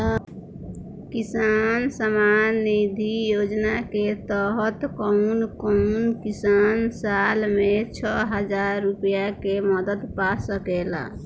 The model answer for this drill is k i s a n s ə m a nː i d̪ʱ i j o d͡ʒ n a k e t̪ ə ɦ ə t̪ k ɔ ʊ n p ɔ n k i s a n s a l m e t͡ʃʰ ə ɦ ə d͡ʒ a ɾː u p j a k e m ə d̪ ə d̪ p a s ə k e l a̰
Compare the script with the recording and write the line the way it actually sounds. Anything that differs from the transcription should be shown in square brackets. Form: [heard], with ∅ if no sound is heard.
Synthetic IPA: k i s a n s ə m a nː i d̪ʱ i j o d͡ʒ n a k e t̪ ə ɦ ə t̪ k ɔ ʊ n [k] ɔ n k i s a n s a l m e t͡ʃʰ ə ɦ ə d͡ʒ a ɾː u p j a k e m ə d̪ ə d̪ p a s ə k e l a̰

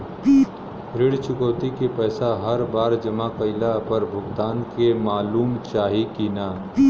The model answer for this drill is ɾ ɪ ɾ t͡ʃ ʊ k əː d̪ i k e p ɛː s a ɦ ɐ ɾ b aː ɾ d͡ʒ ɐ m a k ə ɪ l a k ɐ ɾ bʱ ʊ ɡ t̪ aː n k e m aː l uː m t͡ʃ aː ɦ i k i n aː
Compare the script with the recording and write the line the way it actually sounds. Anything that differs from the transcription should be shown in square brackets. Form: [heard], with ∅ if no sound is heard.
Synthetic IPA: ɾ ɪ [ɽ] t͡ʃ ʊ k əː [t̪] i k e p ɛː s a ɦ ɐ ɾ b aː ɾ d͡ʒ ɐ m a k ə ɪ l a [p] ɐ ɾ bʱ ʊ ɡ t̪ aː n k e m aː l uː m t͡ʃ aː ɦ i k i n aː

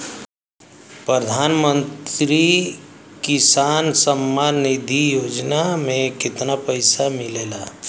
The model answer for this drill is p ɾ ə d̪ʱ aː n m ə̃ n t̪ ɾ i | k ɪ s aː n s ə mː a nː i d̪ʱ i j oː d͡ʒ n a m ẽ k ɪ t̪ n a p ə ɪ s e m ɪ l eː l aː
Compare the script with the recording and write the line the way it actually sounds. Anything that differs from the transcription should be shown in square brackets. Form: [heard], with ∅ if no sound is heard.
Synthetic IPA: p ɾ ə d̪ʱ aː n m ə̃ n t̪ ɾ i | k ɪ s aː n s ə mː a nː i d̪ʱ i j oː d͡ʒ n a m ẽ k ɪ t̪ n a p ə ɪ s [a] m ɪ l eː l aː

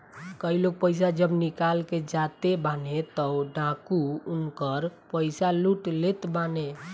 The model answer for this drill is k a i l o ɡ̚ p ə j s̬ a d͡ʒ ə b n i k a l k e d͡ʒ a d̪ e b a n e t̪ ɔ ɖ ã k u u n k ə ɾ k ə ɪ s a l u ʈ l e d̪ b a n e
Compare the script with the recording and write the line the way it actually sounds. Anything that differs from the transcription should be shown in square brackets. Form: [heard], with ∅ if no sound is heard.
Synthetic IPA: k [ə] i l o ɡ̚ p ə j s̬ a d͡ʒ ə b n i k a l k e d͡ʒ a [t̪] e b a n e t̪ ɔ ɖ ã k u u n k ə ɾ [p] ə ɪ s a l u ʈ l e [t̪] b a n e

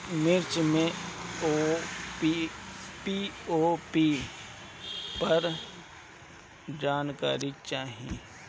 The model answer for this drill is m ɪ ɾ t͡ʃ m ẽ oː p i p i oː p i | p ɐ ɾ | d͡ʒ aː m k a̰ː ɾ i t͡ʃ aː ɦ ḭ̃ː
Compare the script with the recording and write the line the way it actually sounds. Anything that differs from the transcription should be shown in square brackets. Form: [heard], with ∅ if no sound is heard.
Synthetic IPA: m ɪ ɾ t͡ʃ m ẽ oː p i p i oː p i | p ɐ ɾ | d͡ʒ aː [n] k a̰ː ɾ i t͡ʃ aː ɦ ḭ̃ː

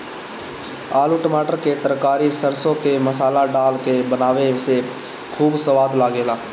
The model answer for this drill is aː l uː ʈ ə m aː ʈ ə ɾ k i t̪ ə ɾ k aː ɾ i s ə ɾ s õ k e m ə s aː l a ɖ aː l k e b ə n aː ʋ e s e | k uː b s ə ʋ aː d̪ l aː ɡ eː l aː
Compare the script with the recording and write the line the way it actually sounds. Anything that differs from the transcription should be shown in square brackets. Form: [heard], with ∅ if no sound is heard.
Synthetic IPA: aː l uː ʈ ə m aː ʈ ə ɾ k [e] t̪ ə ɾ k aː ɾ i s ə ɾ s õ k e m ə s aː l a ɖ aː l k e b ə n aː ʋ e s e | [kʰ] uː b s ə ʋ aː d̪ l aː ɡ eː l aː

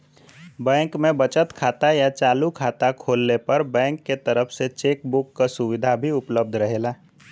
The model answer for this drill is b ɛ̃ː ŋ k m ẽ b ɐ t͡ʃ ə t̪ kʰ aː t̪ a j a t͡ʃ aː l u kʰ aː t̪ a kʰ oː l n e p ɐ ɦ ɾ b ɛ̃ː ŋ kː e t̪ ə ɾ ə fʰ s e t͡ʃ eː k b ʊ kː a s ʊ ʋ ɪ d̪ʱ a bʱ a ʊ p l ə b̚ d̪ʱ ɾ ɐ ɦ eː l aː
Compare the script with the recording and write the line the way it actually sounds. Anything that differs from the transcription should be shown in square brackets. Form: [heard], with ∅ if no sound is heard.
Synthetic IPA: b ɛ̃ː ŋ k m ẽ b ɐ t͡ʃ ə t̪ kʰ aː t̪ a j a t͡ʃ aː l u kʰ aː t̪ a kʰ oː l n e p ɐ [∅] ɾ b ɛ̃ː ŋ kː e t̪ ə ɾ ə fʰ s e t͡ʃ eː k b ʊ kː a s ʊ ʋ ɪ d̪ʱ a bʱ [i] ʊ p l ə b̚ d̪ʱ ɾ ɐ ɦ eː l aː

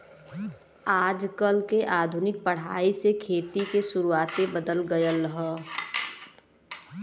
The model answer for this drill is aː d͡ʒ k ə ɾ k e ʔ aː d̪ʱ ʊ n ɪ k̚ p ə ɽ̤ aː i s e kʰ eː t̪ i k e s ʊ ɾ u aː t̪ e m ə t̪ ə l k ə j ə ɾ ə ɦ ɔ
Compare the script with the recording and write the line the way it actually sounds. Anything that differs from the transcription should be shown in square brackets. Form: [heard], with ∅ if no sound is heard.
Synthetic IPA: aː d͡ʒ k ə [l] k e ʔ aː d̪ʱ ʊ n ɪ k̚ p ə ɽ̤ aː i s e kʰ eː t̪ i k e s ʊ ɾ u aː t̪ e [b] ə [d̪] ə l [ɡ] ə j ə [l] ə ɦ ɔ

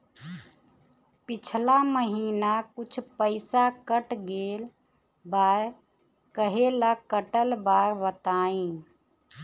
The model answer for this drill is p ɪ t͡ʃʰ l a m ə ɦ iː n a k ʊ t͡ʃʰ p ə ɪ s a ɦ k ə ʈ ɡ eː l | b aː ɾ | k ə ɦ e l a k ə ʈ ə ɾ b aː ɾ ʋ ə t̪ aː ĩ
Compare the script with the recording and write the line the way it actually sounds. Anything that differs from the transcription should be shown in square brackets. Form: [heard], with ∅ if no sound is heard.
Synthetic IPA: p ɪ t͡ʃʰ l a m ə ɦ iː n a k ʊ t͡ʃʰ p ə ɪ s a [∅] k ə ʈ ɡ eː l | b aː ɾ | k ə ɦ e l a k ə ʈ ə [l] b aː ɾ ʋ ə t̪ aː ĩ

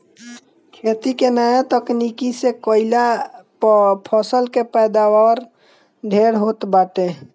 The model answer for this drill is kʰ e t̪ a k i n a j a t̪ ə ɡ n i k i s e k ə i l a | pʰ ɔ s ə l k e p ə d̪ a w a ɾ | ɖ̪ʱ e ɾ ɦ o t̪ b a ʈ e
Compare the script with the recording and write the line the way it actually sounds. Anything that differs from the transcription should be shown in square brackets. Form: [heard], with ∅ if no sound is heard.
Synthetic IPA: kʰ e t̪ [i] k [e] n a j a t̪ ə [k] n i k i s e k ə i l a | pʰ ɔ s ə l k e p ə d̪ a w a ɾ | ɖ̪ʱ e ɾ ɦ o t̪ b a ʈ e

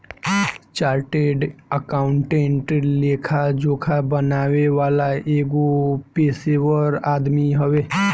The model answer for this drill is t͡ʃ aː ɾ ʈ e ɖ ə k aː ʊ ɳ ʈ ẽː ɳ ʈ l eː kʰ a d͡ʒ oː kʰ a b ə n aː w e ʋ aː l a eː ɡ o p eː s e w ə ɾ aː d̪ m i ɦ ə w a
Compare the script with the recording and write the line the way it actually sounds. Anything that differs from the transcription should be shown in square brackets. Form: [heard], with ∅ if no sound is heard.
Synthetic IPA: t͡ʃ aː ɾ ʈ e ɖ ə k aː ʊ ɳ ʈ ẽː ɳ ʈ l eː kʰ a d͡ʒ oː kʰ a b ə n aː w e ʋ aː l a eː ɡ o p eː s e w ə ɾ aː d̪ m i ɦ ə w [e]

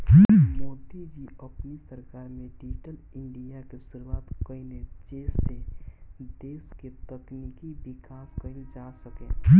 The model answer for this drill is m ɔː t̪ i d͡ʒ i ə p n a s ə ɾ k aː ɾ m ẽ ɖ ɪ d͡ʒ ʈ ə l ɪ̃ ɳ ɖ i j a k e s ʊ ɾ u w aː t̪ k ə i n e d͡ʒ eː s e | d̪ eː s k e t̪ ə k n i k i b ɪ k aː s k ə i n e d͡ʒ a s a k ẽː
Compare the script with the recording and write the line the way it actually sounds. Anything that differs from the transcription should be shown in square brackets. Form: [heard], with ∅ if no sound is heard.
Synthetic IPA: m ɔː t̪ i d͡ʒ i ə p n [i] s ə ɾ k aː ɾ m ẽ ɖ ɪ d͡ʒ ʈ ə l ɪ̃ ɳ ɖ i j a k e s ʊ ɾ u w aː t̪ k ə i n e d͡ʒ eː s e | d̪ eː s k e t̪ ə k n i k i b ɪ k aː s k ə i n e d͡ʒ a s [ə] k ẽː

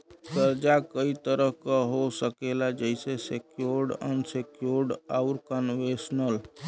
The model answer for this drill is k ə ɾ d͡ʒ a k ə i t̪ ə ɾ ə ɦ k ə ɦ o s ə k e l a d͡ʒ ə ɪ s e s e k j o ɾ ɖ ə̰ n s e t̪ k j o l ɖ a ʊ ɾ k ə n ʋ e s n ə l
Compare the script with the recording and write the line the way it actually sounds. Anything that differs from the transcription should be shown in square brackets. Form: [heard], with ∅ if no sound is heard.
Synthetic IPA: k ə ɾ d͡ʒ a k ə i t̪ ə ɾ ə ɦ k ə ɦ o s ə k e l a d͡ʒ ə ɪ s e s e k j o ɾ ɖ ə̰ n s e [∅] k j o [ɾ] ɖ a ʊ ɾ k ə n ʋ e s n ə l

